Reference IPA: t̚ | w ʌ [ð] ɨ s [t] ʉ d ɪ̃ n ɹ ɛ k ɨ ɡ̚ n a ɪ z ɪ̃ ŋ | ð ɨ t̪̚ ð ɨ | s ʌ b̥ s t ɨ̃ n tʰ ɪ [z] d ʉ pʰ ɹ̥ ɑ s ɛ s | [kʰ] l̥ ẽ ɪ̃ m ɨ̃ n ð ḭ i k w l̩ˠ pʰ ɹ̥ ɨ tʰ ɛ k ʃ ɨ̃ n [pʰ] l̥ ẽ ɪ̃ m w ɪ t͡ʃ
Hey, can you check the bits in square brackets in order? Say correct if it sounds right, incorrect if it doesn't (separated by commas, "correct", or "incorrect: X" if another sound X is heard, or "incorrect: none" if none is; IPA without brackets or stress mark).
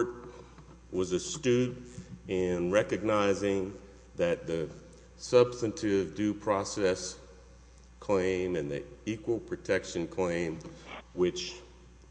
incorrect: z, correct, incorrect: v, correct, incorrect: kʰ